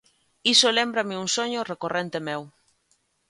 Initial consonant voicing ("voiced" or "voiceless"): voiceless